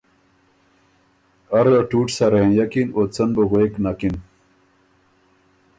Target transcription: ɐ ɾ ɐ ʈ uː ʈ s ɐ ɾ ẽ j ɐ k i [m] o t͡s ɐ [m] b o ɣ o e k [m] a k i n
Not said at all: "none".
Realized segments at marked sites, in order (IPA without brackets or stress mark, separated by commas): n, n, n